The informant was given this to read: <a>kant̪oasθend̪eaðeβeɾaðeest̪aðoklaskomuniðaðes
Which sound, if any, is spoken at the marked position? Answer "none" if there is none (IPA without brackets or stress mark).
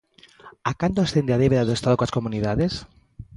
a